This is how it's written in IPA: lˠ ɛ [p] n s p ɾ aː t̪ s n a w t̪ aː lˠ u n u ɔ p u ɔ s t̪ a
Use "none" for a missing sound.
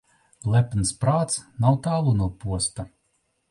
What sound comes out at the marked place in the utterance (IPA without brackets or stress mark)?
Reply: p